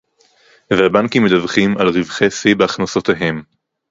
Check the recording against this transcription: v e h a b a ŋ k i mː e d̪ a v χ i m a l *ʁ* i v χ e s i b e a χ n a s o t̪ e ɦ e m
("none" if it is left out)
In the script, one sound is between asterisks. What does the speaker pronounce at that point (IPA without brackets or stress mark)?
ʁ